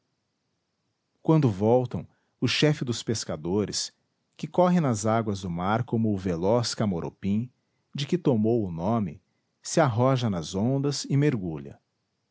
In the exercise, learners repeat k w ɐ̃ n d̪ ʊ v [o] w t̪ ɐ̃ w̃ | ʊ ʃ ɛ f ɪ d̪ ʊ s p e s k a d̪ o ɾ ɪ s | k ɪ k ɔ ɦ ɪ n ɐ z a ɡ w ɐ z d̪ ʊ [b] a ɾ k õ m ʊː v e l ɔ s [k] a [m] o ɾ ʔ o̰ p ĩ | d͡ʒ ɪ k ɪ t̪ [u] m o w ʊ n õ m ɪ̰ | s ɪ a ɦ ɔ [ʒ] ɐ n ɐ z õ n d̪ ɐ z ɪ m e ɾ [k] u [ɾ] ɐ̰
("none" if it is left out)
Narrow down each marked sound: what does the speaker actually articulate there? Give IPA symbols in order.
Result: ɔ, m, k, m, o, ʒ, ɡ, ʎ

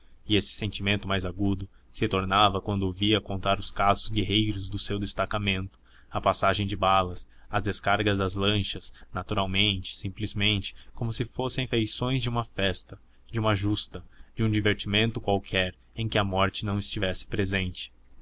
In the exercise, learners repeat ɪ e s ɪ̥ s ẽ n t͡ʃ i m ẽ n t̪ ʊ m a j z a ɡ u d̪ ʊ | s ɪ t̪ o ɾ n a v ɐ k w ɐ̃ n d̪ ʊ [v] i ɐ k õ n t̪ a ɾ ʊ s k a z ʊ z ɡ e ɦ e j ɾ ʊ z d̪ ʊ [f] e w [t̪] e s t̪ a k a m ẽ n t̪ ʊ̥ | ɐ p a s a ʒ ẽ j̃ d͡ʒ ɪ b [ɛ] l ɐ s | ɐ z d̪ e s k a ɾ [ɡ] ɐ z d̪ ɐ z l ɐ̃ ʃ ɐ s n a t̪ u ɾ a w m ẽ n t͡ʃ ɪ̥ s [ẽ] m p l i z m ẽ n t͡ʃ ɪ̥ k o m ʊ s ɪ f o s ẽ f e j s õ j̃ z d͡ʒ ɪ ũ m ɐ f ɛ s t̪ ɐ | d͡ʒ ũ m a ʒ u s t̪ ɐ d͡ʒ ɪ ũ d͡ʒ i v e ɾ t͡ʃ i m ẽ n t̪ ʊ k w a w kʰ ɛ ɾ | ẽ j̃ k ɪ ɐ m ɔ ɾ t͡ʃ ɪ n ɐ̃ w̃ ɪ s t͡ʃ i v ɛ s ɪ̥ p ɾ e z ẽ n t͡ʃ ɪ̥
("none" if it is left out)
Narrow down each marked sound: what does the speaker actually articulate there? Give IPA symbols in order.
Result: v, s, d̪, a, ɡ, ĩ

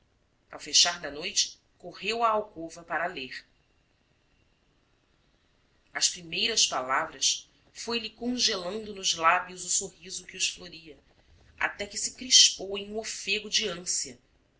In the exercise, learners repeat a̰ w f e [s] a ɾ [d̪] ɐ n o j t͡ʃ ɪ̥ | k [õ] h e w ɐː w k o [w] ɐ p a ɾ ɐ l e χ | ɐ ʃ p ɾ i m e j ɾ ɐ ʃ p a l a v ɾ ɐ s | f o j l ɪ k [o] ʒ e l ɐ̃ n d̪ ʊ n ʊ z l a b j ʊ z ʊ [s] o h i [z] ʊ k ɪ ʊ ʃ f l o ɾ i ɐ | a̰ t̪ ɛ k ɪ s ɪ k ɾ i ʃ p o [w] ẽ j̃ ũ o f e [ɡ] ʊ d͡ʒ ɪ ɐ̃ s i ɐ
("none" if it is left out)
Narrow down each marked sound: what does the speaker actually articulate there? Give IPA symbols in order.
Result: ʃ, d̪, o, v, õ, s, z, w, ɡ

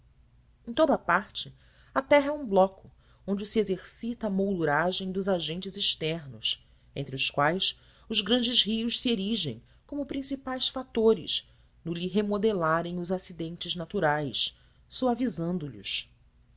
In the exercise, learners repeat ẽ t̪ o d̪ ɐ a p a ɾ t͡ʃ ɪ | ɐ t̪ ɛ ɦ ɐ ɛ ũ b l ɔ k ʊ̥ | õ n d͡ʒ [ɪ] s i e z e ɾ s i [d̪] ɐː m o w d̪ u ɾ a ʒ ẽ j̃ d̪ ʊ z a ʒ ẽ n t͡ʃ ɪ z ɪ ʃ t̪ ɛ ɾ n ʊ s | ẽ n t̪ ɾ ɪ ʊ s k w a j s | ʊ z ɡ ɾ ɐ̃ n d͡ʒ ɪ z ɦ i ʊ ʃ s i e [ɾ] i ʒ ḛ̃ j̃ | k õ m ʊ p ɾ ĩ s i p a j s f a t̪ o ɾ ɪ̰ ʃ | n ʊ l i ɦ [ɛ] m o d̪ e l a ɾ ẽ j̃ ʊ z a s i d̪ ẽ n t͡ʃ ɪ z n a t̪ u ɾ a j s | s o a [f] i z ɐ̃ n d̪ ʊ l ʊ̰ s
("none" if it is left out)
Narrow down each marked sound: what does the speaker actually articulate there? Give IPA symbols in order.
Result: ɪ, t̪, ɾ, e, v

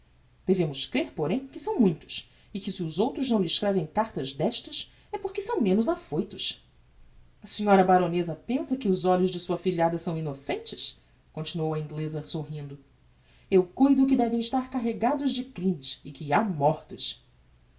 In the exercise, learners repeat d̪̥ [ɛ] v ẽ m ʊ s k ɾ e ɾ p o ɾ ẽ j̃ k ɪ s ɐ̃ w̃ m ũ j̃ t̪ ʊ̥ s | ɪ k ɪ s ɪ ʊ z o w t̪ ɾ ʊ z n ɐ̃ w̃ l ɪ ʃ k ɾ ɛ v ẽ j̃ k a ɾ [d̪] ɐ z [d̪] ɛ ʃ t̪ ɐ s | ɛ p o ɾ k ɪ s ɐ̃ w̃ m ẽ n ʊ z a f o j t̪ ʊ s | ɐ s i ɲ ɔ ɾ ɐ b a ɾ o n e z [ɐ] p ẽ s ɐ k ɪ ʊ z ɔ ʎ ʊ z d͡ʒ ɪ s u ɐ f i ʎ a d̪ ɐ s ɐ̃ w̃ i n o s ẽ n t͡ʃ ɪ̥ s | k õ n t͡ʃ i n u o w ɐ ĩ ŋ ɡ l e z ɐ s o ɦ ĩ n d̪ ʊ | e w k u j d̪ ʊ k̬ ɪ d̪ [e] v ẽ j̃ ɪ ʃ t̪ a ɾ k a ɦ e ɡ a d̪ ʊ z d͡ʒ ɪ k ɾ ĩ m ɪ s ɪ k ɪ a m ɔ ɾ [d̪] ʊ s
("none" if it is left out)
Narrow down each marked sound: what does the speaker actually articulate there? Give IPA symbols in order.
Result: e, t̪, d̪, ɐ, ɛ, t̪

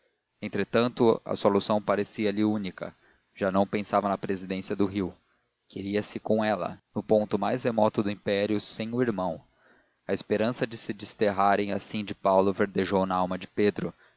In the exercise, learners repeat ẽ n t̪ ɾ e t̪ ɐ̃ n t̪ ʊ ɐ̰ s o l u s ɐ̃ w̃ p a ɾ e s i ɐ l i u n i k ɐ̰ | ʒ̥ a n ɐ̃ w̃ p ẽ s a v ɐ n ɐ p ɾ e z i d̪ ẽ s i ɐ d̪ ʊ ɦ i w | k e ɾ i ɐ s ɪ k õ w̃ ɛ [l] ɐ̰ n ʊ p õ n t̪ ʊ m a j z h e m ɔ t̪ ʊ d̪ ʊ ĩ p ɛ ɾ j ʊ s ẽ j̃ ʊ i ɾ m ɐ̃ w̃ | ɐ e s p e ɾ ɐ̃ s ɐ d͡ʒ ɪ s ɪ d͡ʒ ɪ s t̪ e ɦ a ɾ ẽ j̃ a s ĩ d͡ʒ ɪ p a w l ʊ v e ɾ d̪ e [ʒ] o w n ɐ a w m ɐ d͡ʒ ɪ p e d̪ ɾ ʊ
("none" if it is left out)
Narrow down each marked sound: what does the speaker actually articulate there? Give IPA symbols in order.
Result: l, ʒ

